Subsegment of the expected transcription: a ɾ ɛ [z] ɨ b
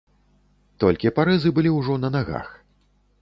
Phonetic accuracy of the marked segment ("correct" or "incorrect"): correct